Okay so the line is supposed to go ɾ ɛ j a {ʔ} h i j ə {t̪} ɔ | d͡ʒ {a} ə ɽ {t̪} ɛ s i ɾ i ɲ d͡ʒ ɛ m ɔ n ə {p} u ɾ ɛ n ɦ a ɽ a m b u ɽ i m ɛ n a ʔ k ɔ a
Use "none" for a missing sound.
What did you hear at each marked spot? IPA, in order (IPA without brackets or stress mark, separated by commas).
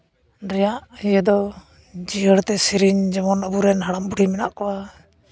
ʔ, d̪, i, t̪, b